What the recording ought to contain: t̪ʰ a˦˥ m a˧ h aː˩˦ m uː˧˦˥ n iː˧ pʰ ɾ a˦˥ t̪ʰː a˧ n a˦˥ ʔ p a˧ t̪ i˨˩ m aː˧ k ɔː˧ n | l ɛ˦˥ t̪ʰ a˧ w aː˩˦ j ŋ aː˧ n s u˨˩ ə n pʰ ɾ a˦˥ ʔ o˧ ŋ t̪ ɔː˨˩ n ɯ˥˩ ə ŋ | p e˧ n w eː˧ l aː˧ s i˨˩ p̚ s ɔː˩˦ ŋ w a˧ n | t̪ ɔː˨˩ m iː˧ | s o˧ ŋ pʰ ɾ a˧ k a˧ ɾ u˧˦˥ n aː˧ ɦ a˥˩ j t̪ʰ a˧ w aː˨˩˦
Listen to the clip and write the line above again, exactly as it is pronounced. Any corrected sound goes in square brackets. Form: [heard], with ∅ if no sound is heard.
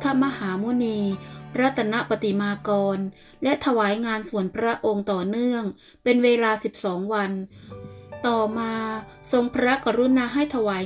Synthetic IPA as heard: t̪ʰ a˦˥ m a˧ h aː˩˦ m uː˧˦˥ n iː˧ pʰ ɾ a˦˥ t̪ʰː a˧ n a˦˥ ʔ p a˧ t̪ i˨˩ m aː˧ k ɔː˧ n | l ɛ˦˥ t̪ʰ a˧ w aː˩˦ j ŋ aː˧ n s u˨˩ ə n pʰ ɾ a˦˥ ʔ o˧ ŋ t̪ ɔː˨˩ n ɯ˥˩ ə ŋ | p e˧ n w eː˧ l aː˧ s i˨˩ p̚ s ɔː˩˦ ŋ w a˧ n | t̪ ɔː˨˩ m [aː˧] | s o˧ ŋ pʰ ɾ [a˦˥] k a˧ ɾ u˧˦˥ n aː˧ ɦ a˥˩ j t̪ʰ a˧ w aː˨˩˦